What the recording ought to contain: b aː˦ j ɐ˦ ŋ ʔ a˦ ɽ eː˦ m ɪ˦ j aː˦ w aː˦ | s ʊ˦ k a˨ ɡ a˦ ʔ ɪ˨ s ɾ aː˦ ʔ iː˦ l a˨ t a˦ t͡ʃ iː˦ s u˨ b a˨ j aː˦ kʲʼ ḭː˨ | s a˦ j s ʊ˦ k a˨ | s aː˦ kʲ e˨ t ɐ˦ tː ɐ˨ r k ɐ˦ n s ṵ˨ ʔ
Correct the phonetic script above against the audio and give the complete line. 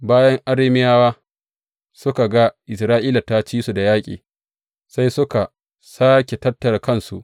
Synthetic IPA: b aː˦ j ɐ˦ ŋ ʔ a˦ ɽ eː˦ m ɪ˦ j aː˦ w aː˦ | s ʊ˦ k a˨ ɡ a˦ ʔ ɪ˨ s ɾ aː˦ ʔ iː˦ l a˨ t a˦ t͡ʃ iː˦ s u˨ d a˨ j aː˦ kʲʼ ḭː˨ | s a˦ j s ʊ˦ k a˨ | s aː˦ kʲ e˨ t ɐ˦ tː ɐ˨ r k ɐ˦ n s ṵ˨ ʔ